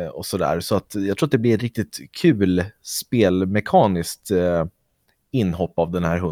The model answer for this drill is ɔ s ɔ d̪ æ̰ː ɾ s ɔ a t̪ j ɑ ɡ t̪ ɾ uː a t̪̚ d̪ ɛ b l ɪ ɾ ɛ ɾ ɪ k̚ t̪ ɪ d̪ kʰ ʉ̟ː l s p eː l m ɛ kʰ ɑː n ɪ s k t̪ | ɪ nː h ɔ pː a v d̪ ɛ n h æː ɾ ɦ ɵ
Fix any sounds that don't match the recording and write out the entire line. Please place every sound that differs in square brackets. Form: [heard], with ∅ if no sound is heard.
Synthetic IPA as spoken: ɔ s ɔ d̪ æ̰ː ɾ s ɔ a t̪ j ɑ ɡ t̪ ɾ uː a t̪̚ d̪ ɛ b l ɪ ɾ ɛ ɾ ɪ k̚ t̪ ɪ [t̪] kʰ ʉ̟ː l s p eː l m ɛ kʰ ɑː n ɪ s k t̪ | ɪ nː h ɔ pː a v d̪ ɛ n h æː ɾ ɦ ɵ